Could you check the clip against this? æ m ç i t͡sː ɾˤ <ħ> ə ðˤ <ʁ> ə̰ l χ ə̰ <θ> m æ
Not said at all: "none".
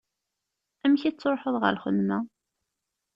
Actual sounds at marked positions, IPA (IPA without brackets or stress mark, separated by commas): ħ, ʁ, ð